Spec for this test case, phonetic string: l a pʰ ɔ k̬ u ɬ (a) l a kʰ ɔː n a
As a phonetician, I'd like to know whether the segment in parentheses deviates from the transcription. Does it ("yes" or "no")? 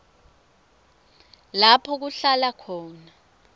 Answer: no